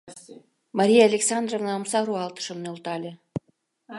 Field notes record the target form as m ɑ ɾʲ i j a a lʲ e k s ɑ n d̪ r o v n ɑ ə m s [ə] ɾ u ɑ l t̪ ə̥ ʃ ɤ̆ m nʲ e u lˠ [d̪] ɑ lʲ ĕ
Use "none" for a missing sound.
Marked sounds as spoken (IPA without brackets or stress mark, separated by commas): ɑ, t̪